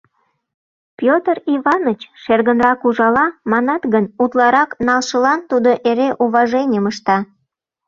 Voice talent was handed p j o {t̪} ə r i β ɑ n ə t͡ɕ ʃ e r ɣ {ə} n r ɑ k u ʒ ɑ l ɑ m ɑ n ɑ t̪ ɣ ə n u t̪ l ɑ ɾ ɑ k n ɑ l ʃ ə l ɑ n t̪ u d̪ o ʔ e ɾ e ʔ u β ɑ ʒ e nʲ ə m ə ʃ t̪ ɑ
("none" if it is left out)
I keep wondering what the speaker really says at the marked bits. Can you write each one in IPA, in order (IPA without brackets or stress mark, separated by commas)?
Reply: t̪, ə